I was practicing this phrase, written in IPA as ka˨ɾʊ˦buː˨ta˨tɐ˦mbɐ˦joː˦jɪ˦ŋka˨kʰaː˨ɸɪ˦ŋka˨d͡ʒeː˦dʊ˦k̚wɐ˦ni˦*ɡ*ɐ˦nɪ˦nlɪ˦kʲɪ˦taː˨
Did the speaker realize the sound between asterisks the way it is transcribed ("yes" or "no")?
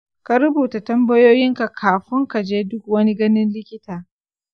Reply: yes